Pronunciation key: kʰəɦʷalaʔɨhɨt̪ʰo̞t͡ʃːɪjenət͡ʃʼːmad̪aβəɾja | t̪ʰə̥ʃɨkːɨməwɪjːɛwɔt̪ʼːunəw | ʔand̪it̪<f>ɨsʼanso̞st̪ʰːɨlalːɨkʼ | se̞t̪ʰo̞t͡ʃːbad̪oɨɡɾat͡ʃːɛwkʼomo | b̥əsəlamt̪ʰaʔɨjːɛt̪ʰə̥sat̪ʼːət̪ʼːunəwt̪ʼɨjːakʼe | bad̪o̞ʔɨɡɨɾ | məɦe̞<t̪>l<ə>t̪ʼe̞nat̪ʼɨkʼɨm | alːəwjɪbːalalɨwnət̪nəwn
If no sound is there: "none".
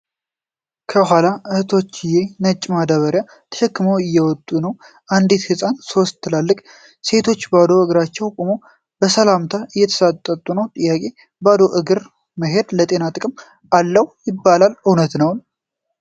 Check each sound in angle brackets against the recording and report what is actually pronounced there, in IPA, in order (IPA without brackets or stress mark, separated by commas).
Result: h, d̪, ə